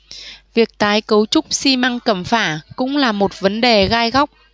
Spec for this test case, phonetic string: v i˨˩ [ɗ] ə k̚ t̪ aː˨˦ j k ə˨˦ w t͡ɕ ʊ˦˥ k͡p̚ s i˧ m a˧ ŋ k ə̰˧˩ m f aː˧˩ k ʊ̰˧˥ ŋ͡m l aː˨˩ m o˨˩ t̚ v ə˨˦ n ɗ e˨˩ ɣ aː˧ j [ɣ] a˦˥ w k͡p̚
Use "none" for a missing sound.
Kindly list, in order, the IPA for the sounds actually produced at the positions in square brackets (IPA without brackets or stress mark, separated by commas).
none, ɣ